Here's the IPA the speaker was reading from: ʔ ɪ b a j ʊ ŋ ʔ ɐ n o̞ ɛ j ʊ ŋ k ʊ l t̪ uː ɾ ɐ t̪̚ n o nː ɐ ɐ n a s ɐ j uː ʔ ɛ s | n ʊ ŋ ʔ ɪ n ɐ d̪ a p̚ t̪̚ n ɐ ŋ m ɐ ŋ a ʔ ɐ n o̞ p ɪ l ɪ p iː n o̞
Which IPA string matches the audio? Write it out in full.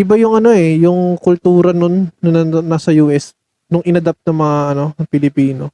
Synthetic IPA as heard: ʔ ɪ b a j ʊ ŋ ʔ ɐ n o̞ ɛ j ʊ ŋ k ʊ l t̪ uː ɾ ɐ n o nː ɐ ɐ n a s ɐ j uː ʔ ɛ s | n ʊ ŋ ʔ ɪ n ɐ d̪ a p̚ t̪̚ n ɐ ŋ m ɐ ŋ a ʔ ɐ n o̞ p ɪ l ɪ p iː n o̞